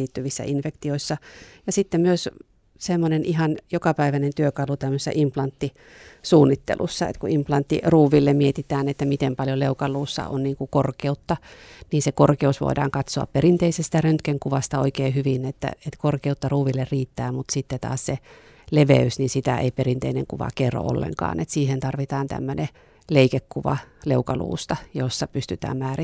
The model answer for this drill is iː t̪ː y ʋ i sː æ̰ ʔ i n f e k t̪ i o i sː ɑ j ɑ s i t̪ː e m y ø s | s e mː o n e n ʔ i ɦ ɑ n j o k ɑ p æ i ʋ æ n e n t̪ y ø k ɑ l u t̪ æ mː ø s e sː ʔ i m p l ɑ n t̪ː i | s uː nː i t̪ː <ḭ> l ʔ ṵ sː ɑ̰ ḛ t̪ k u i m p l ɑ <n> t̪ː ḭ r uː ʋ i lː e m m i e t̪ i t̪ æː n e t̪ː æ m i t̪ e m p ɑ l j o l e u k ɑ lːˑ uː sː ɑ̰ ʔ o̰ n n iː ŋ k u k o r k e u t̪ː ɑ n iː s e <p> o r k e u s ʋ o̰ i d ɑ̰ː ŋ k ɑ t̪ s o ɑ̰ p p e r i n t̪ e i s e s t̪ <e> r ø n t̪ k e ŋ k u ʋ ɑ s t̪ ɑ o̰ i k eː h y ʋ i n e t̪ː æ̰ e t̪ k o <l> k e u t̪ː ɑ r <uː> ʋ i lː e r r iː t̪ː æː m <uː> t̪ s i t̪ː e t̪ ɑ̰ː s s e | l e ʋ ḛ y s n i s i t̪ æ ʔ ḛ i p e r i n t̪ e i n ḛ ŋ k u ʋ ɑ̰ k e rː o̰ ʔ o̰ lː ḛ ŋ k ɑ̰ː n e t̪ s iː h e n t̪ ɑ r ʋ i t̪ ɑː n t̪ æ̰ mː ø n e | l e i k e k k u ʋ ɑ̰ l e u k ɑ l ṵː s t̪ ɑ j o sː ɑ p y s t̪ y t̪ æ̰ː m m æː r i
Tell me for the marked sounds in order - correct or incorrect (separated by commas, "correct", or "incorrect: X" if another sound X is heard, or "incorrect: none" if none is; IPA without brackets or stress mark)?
incorrect: ḛ, correct, incorrect: k, incorrect: æ, incorrect: r, correct, incorrect: u